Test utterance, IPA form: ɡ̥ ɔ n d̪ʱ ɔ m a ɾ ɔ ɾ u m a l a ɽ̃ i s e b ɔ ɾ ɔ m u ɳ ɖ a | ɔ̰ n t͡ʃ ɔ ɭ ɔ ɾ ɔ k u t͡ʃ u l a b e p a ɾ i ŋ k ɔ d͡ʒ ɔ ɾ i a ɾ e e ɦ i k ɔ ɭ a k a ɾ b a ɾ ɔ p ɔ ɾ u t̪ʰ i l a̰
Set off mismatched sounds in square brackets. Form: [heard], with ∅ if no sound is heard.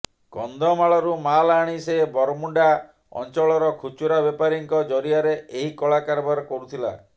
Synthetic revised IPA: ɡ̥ ɔ n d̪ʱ ɔ m a [ɭ] ɔ ɾ u m a l a ɽ̃ i s e b ɔ ɾ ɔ m u ɳ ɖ a | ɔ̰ n t͡ʃ ɔ ɭ ɔ ɾ ɔ [kʰ] u t͡ʃ u [ɾ] a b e p a ɾ i ŋ k ɔ d͡ʒ ɔ ɾ i a ɾ e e ɦ i k ɔ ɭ a k a ɾ b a ɾ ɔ [k] ɔ ɾ u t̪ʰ i l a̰